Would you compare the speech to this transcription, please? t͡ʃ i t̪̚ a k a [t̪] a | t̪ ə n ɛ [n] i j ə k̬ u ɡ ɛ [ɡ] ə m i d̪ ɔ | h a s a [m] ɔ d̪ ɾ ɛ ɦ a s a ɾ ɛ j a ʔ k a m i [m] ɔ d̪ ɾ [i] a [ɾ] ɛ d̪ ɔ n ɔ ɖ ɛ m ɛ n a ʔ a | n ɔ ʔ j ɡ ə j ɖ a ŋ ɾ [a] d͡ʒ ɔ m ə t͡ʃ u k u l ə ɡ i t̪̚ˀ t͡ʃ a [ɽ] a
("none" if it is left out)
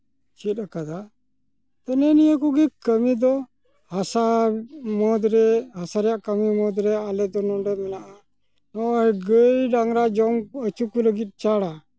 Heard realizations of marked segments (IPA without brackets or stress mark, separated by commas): d̪, n, k, m, m, ɛ, l, a, ɽ